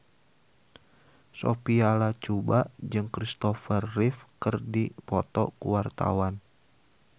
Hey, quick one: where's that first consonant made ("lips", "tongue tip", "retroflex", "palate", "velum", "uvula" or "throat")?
tongue tip